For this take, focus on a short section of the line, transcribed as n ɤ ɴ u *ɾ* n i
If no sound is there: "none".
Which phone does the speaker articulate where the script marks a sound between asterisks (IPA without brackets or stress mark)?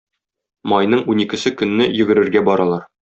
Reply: none